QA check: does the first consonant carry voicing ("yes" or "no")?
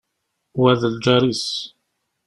yes